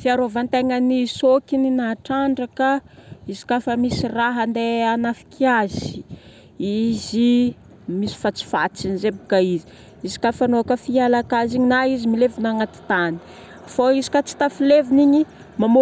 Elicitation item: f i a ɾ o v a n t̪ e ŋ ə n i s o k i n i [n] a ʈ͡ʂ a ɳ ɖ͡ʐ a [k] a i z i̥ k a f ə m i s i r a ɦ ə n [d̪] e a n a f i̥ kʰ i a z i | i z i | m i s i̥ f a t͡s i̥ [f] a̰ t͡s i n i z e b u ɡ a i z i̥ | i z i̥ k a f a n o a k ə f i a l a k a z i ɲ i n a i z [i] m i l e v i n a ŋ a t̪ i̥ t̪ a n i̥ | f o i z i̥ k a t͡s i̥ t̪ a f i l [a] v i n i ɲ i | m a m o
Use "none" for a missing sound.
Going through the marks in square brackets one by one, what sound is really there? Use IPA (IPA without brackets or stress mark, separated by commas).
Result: n, k, d̪, f, i, e